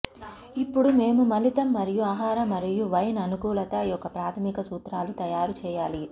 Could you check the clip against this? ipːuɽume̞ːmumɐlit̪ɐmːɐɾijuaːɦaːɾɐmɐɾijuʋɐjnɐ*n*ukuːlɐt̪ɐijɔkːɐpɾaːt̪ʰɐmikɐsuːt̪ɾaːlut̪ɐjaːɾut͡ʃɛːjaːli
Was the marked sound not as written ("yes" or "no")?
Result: no